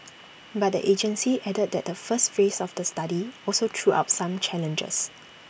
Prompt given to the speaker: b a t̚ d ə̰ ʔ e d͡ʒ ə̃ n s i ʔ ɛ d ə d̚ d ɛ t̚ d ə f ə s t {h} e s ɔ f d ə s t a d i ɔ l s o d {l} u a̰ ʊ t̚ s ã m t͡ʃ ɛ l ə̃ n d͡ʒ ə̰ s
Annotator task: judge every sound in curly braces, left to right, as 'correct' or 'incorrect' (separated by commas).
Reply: incorrect, incorrect